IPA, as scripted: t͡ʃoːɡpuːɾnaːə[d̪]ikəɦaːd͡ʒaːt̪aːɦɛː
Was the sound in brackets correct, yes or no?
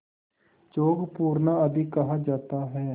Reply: yes